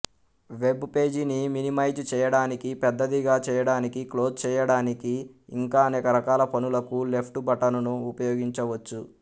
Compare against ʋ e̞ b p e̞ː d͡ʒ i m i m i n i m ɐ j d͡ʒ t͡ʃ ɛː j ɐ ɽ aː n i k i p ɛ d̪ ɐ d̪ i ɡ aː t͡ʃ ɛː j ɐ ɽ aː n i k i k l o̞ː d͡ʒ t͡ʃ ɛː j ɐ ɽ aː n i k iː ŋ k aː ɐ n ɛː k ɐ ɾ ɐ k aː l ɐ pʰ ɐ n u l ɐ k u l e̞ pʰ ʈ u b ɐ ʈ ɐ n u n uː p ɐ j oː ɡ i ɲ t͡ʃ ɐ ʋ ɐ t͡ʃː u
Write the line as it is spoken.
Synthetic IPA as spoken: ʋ e̞ b p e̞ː d͡ʒ i n i m i n i m ɐ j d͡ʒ t͡ʃ ɛː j ɐ ɽ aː n i k i p ɛ d̪ː ɐ d̪ i ɡ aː t͡ʃ ɛː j ɐ ɽ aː n i k i k l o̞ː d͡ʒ t͡ʃ ɛː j ɐ ɽ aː n i k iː ŋ k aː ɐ n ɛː k ɐ ɾ ɐ k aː l ɐ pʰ ɐ n u l ɐ k u l e̞ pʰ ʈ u b ɐ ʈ ɐ n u n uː p ɐ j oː ɡ i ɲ t͡ʃ ɐ ʋ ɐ t͡ʃː u

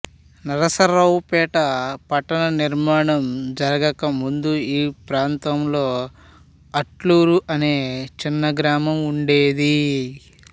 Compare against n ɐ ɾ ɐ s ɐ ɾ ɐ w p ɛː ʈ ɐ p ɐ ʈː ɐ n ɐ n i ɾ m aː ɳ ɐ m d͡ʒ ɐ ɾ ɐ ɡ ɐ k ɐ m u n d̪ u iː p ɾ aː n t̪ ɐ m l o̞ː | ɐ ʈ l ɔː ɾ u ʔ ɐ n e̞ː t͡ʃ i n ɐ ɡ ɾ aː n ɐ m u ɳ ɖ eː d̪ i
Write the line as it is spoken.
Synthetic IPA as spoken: n ɐ ɾ ɐ s ɐ ɾ ɐ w p ɛː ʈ ɐ p ɐ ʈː ɐ n ɐ n i ɾ m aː ɳ ɐ m d͡ʒ ɐ ɾ ɐ ɡ ɐ k ɐ m u n d̪ u iː p ɾ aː n t̪ ɐ m l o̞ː | ɐ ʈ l uː ɾ u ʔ ɐ n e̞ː t͡ʃ i nː ɐ ɡ ɾ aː m ɐ m u ɳ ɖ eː d̪ i

